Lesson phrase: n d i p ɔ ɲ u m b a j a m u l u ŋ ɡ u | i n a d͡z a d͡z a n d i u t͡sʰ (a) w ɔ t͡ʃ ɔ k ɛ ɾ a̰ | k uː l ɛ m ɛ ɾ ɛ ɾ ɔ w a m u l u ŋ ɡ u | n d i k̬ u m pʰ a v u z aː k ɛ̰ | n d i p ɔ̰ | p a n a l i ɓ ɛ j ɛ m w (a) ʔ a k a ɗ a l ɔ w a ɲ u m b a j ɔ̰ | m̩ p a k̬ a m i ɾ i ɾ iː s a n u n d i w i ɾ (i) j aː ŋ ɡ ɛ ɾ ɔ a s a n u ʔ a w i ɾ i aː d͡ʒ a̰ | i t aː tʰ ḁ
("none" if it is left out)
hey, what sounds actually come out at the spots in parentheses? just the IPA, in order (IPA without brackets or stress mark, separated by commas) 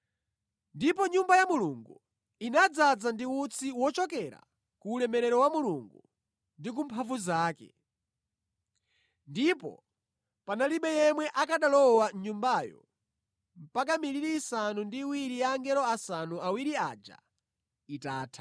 i, ɛ, i